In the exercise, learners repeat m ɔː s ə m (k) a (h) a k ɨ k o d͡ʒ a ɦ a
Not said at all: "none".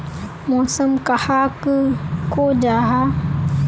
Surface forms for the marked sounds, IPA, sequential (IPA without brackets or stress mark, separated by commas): k, h